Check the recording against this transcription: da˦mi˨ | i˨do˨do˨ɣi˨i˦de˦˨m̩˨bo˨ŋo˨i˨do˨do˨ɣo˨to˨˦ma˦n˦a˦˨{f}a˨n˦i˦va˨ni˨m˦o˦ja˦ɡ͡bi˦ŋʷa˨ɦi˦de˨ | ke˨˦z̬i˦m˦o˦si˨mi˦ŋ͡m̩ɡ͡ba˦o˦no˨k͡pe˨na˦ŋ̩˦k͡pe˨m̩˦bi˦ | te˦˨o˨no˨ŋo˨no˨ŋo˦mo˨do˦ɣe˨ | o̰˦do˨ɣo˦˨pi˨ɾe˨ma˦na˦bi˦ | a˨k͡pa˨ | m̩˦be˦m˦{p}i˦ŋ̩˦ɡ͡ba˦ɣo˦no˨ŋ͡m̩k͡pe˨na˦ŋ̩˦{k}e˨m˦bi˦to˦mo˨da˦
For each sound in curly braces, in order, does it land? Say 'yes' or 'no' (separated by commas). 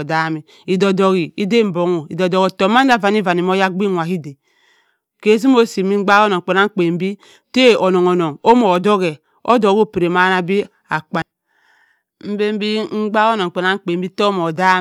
no, no, no